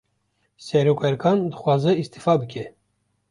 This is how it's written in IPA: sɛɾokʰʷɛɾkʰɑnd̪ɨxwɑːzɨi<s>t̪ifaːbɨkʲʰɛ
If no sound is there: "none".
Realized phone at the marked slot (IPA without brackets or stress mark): s